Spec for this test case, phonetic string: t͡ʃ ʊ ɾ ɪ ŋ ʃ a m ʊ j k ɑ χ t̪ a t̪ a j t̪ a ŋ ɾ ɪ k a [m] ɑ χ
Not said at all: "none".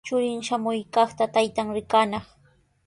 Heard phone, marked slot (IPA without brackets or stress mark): n